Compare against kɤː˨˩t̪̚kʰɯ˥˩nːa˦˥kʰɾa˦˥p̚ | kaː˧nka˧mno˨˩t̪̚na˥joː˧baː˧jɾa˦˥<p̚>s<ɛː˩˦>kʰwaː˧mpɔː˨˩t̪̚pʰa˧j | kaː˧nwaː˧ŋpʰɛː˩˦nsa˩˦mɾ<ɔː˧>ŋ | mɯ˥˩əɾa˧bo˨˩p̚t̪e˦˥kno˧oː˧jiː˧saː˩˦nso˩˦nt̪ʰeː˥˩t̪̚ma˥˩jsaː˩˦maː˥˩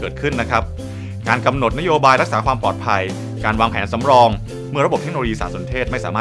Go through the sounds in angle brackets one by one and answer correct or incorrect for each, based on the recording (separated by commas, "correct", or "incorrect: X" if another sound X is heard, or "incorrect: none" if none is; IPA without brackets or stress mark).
incorrect: k̚, incorrect: aː˩˦, correct